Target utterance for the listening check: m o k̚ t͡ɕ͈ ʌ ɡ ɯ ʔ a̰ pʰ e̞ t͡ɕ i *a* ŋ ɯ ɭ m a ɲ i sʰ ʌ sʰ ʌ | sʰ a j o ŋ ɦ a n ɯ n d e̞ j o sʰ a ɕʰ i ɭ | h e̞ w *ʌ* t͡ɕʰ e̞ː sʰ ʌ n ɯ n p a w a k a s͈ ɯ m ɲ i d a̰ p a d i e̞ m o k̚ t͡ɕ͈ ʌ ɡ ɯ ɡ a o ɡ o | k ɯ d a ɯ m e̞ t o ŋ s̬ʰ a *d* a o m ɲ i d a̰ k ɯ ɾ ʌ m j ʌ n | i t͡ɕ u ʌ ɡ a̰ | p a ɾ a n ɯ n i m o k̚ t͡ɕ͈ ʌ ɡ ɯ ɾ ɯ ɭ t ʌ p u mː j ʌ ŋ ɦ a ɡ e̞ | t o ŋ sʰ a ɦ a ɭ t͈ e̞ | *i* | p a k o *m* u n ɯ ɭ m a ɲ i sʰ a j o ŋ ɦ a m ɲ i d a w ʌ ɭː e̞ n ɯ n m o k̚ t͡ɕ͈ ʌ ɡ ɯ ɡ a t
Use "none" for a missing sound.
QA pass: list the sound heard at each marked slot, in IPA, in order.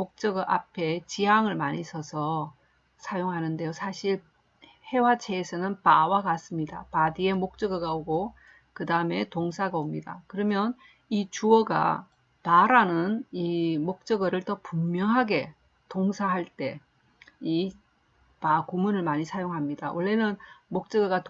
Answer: a, a, ɡ, i, m

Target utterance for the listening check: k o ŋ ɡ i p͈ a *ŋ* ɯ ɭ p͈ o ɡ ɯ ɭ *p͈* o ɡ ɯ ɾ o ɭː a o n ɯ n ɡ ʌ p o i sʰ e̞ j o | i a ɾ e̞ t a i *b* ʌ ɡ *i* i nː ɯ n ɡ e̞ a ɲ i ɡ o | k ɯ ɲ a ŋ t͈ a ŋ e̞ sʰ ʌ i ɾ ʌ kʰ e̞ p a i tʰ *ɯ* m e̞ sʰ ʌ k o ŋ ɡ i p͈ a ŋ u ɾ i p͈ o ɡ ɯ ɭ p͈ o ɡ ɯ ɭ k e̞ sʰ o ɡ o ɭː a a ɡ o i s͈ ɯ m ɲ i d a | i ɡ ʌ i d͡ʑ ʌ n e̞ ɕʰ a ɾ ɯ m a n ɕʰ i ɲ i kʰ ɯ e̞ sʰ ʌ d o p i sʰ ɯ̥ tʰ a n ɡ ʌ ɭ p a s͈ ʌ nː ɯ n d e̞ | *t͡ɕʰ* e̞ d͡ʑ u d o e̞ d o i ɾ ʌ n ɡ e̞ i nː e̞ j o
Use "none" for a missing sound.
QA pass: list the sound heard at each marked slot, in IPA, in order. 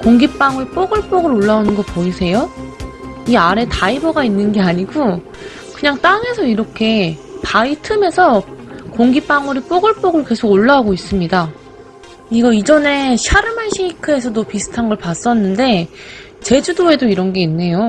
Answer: ŋ, p͈, b, a, ɯ, t͡ɕ

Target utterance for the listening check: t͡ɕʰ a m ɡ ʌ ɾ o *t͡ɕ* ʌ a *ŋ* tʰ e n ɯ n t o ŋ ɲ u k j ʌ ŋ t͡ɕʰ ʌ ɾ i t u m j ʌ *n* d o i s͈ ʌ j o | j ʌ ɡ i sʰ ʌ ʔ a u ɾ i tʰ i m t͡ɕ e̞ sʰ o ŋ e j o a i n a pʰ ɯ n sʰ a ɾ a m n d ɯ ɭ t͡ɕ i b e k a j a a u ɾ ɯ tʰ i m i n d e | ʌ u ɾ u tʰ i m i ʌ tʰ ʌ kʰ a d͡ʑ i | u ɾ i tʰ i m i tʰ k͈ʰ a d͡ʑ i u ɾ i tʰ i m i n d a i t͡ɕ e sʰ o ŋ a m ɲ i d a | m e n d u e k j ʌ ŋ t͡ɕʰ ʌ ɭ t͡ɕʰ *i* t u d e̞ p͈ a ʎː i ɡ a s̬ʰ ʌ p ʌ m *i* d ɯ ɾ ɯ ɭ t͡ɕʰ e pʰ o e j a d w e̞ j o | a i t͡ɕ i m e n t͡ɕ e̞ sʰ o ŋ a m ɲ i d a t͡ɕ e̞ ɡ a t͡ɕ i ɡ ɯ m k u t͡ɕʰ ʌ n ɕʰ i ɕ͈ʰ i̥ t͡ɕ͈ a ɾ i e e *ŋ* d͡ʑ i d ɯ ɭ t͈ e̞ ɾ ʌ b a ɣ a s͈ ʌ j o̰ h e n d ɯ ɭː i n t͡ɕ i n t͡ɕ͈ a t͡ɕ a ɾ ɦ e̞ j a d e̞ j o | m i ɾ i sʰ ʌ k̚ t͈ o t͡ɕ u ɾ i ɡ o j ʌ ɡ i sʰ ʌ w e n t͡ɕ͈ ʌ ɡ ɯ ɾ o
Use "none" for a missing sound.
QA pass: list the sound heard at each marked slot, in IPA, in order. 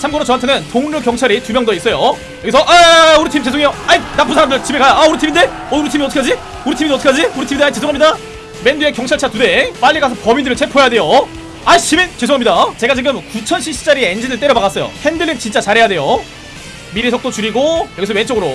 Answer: t͡ɕ, n, ŋ, a, i, n

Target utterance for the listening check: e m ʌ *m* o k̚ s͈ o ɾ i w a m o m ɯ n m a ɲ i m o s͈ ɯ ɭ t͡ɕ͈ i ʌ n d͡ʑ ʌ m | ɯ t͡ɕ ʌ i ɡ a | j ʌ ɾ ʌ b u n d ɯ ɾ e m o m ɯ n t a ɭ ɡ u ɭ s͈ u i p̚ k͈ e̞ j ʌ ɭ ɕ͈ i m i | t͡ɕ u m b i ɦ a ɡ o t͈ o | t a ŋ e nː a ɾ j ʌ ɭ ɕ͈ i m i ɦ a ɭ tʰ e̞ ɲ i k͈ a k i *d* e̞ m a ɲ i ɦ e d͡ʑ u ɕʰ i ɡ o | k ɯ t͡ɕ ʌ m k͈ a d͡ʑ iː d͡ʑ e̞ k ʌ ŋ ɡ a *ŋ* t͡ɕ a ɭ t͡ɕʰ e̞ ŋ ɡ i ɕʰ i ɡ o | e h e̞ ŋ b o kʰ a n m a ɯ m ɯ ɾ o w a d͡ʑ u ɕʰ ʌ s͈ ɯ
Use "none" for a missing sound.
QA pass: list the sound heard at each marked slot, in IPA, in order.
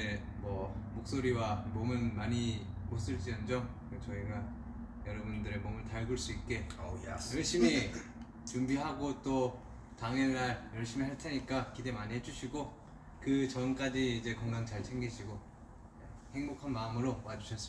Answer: m, d, ŋ

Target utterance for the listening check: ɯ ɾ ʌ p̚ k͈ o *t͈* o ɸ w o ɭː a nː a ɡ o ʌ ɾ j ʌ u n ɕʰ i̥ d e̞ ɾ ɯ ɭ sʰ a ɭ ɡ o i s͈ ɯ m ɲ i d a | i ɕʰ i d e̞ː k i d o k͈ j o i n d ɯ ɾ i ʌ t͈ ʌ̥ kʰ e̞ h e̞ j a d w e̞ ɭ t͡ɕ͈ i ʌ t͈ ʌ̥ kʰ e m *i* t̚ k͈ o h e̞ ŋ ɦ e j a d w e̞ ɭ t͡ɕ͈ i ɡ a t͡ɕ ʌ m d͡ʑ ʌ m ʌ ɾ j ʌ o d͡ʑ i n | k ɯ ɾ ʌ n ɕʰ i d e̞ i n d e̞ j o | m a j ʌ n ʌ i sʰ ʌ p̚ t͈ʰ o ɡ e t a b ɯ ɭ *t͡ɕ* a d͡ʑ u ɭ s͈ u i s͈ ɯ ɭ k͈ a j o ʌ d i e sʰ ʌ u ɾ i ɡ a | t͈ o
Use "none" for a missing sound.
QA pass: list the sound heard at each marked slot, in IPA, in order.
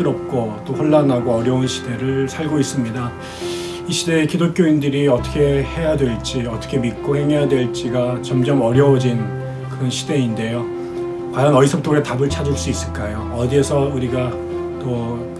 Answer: t͈, i, t͡ɕʰ

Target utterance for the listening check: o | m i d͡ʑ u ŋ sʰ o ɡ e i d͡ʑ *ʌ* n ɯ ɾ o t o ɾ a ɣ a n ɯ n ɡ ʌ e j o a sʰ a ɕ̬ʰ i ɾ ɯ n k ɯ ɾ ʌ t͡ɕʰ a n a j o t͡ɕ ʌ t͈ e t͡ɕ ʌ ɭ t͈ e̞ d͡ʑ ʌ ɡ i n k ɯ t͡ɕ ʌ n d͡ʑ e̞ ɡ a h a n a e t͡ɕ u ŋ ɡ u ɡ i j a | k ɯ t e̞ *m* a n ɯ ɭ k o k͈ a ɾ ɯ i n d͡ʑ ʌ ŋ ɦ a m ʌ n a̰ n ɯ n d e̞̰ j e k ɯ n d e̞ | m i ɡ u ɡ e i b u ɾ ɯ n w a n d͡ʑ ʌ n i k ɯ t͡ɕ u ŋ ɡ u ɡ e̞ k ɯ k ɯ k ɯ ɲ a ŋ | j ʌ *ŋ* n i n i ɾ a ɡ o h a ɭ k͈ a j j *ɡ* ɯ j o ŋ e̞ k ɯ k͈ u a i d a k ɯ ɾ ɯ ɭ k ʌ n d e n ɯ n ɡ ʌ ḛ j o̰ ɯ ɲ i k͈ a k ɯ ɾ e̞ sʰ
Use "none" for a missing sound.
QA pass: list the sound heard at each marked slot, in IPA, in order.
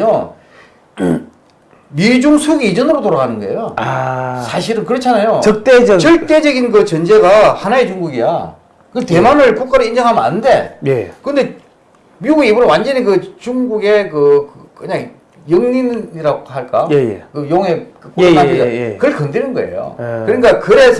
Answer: ʌ, m, ŋ, k

